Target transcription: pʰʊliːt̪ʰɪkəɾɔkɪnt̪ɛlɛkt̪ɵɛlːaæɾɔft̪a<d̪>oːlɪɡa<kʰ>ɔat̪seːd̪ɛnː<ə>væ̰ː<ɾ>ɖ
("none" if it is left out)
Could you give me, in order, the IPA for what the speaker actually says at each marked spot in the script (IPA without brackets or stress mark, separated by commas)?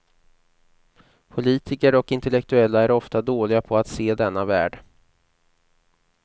d̪, pʰ, a, none